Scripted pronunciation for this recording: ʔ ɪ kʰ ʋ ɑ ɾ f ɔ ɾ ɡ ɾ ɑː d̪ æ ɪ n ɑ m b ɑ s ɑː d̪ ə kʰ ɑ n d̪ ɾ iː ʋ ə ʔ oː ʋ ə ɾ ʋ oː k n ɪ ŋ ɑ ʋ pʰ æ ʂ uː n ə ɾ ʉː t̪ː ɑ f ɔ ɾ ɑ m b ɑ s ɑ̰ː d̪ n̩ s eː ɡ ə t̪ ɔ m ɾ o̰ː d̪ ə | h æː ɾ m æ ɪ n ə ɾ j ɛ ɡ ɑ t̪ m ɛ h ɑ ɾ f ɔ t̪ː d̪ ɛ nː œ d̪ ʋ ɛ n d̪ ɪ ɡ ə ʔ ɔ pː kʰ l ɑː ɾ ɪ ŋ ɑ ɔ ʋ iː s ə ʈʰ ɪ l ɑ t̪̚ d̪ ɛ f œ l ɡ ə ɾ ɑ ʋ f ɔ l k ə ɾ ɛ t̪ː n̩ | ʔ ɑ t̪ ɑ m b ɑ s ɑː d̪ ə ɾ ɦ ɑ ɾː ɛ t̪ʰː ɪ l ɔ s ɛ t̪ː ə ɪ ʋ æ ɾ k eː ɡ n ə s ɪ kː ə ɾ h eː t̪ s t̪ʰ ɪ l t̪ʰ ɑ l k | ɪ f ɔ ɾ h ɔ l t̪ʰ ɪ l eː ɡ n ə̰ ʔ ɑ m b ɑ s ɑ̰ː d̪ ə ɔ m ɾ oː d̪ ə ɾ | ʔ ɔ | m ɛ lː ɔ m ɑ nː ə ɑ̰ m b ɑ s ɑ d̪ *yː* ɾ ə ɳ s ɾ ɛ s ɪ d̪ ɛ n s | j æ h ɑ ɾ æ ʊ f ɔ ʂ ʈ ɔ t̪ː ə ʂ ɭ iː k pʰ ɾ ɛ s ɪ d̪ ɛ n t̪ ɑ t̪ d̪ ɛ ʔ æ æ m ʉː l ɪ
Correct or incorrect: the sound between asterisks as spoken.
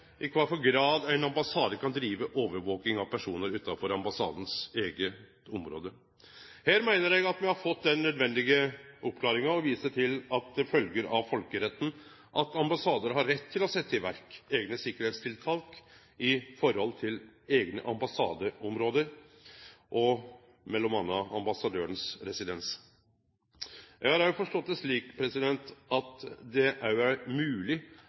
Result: incorrect: øː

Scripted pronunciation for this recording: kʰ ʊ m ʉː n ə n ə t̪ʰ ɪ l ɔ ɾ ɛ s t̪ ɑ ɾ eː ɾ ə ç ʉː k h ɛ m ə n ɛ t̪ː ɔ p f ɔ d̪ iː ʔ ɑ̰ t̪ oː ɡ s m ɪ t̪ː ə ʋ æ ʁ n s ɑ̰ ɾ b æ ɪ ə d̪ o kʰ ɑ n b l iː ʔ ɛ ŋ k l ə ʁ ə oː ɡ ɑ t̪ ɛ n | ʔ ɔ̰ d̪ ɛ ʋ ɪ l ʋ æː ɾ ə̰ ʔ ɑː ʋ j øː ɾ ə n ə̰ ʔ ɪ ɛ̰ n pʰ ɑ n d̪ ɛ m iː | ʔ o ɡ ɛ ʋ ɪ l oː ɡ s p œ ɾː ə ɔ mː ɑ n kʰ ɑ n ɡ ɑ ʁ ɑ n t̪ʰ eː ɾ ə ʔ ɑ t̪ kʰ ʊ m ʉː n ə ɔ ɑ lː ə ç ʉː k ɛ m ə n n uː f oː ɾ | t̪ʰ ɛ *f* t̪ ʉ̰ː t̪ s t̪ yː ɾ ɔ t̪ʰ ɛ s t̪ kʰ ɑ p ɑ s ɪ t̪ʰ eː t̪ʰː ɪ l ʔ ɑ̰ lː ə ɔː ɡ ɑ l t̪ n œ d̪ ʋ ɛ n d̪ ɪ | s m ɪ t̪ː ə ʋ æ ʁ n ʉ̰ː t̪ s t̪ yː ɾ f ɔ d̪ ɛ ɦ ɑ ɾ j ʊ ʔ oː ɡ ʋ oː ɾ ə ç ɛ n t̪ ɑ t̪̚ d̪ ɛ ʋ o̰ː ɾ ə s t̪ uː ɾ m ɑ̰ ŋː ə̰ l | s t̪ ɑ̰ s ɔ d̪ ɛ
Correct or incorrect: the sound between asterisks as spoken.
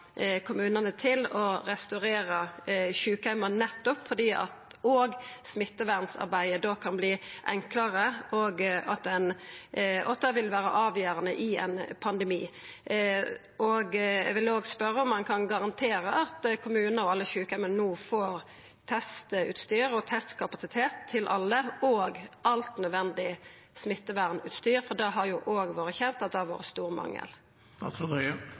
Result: incorrect: s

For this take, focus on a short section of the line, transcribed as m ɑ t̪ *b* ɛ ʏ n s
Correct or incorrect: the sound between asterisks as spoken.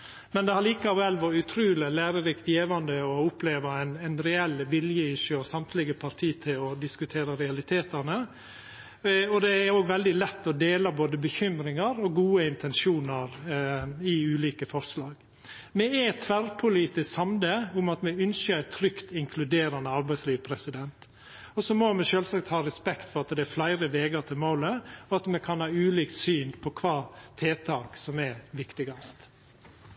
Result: incorrect: m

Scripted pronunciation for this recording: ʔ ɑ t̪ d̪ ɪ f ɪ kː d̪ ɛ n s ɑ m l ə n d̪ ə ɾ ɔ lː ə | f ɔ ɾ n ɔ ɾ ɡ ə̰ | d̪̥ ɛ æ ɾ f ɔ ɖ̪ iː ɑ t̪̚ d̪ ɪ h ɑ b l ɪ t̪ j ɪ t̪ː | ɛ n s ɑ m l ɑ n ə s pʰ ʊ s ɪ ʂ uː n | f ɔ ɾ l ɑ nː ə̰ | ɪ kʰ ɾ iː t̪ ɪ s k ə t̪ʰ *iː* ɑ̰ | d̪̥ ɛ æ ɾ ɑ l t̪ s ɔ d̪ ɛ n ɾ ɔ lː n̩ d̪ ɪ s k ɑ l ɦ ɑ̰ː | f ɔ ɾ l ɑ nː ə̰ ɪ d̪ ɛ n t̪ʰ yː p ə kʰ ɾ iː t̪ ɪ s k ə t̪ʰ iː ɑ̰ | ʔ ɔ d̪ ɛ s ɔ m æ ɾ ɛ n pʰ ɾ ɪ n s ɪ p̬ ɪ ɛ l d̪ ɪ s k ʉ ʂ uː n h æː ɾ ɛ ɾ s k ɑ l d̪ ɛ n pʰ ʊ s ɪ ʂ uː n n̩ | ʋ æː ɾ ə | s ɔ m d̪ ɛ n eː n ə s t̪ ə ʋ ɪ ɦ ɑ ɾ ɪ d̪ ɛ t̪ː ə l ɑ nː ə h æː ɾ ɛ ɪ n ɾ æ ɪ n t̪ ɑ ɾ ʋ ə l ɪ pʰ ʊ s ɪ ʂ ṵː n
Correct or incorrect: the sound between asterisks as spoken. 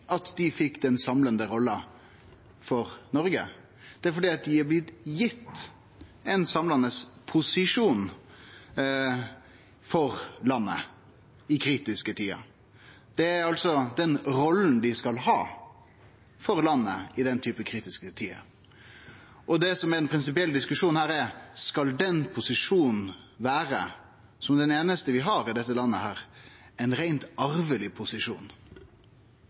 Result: correct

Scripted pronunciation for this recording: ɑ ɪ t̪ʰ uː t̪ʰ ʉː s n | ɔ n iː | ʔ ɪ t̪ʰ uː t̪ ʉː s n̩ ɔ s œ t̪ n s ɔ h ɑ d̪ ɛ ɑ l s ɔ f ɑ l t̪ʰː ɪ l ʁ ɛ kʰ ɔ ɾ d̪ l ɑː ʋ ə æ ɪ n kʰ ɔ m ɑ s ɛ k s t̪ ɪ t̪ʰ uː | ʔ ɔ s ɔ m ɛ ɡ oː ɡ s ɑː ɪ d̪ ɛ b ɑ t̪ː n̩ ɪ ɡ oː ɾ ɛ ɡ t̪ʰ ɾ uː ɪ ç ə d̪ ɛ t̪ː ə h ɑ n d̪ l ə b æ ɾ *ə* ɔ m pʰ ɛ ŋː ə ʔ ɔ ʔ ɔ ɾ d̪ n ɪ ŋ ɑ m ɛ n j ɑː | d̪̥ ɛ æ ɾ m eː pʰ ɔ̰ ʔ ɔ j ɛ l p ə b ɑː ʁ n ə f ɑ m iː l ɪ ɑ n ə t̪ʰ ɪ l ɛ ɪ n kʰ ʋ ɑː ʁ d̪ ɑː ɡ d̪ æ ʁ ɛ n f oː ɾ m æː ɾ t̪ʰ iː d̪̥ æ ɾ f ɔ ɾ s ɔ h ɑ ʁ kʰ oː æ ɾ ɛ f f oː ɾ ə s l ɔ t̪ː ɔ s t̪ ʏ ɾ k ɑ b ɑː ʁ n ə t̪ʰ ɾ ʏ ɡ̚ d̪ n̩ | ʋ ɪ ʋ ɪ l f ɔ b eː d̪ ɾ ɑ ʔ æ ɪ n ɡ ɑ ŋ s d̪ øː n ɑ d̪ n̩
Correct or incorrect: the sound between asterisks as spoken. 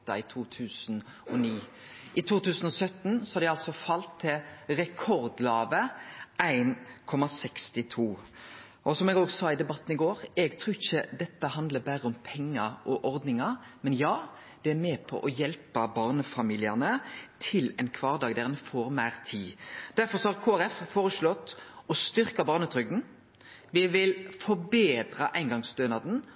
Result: correct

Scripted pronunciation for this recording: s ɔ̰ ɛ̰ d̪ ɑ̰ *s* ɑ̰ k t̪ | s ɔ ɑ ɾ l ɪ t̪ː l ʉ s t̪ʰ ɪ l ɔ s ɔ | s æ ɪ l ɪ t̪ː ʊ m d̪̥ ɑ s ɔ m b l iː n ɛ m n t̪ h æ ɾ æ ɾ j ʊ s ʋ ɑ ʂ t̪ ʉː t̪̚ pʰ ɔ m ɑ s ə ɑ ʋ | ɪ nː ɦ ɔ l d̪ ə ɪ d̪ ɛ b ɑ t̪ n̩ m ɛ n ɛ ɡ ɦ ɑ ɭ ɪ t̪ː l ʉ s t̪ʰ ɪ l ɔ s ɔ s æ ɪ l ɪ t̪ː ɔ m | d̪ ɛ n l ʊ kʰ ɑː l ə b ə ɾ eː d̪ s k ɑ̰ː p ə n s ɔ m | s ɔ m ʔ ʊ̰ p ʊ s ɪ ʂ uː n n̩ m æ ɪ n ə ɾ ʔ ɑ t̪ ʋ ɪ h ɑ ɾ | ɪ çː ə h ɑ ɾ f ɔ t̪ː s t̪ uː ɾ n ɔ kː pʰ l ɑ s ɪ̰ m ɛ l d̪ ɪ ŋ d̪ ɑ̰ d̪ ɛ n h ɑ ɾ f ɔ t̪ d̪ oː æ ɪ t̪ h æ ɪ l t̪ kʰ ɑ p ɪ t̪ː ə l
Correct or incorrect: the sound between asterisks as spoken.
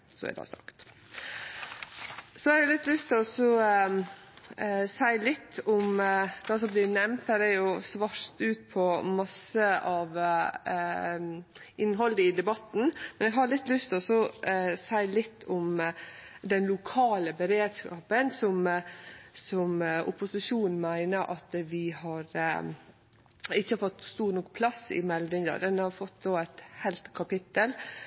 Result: correct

